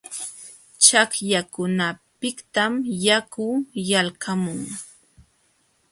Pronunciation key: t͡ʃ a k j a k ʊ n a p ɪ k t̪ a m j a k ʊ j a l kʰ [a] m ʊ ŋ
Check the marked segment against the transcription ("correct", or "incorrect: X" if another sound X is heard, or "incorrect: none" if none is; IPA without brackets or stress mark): correct